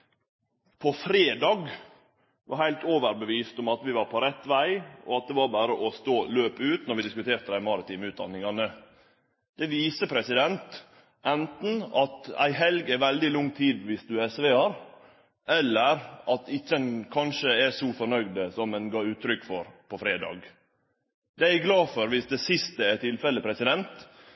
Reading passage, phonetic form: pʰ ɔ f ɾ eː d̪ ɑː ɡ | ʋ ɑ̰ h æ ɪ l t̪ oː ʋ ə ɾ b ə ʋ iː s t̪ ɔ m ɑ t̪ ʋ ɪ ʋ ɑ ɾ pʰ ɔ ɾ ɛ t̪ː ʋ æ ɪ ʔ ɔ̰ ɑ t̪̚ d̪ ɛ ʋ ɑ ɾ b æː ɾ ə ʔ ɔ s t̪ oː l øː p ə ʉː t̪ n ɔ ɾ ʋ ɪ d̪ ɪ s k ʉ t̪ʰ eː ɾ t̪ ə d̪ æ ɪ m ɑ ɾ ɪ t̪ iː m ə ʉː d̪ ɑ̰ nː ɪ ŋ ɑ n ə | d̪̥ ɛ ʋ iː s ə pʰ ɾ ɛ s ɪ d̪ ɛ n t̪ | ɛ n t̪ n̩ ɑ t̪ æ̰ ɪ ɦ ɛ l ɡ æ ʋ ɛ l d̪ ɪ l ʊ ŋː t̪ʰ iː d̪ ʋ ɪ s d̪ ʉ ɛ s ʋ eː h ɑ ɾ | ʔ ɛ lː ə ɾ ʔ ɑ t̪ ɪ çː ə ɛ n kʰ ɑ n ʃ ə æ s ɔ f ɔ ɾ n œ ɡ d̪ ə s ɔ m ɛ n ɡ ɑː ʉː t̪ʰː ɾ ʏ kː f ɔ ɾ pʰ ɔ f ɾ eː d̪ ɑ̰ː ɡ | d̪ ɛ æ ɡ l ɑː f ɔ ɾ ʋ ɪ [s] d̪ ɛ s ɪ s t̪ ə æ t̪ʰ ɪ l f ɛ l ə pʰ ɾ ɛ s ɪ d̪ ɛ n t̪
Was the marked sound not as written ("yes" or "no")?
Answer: no